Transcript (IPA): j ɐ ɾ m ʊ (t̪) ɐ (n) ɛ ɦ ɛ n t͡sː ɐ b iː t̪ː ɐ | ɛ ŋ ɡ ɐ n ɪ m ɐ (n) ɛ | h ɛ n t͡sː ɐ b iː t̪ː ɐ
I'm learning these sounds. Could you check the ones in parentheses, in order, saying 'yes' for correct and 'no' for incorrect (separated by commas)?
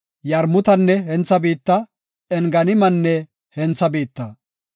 yes, no, no